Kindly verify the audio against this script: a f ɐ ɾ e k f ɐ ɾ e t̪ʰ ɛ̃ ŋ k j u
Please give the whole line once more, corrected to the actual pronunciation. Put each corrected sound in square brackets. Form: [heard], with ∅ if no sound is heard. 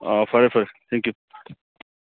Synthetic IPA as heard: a f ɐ ɾ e [∅] f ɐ ɾ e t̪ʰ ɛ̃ ŋ k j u